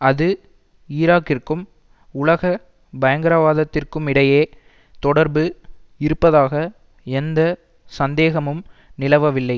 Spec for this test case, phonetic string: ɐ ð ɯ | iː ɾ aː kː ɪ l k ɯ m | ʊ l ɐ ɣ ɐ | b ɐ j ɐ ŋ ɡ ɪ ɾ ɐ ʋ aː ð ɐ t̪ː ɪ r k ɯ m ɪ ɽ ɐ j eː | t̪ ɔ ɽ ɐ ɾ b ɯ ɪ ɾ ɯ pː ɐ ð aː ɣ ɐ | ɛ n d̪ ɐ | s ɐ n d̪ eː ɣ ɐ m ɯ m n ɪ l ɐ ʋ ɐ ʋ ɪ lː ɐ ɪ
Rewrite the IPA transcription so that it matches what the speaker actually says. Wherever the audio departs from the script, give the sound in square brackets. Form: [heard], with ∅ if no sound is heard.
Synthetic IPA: ɐ ð ɯ | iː ɾ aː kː ɪ [r] k ɯ m | ʊ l ɐ ɣ ɐ | b ɐ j ɐ ŋ ɡ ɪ ɾ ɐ ʋ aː ð ɐ t̪ː ɪ r k ɯ m ɪ ɽ ɐ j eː | t̪ ɔ ɽ ɐ ɾ b ɯ ɪ ɾ ɯ pː ɐ ð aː ɣ ɐ | ɛ n d̪ ɐ | s ɐ n d̪ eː ɣ ɐ m ɯ m n ɪ l ɐ ʋ ɐ ʋ ɪ lː ɐ ɪ